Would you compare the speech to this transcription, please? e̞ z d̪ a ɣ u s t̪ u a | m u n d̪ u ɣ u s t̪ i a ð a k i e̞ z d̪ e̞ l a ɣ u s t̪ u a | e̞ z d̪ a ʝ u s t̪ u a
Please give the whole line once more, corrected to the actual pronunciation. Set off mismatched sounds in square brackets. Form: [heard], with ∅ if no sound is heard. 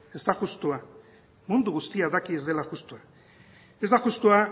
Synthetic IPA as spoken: e̞ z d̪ a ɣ u s t̪ u a | m u n d̪ u ɣ u s t̪ i a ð a k i e̞ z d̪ e̞ l a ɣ u s t̪ u a | e̞ z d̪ a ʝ u s t̪ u a